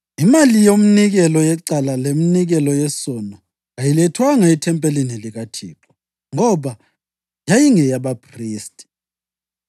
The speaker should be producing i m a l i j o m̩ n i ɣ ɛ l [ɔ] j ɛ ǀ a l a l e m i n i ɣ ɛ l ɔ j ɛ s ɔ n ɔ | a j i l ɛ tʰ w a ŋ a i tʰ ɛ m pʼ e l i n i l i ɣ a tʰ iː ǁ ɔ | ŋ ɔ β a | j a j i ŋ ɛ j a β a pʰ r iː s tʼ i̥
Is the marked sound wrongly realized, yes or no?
no